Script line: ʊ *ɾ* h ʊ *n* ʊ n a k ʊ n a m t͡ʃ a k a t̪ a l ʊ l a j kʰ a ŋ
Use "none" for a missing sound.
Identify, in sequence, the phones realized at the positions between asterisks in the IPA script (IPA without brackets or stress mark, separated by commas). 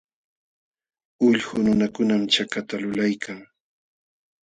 ʎ, n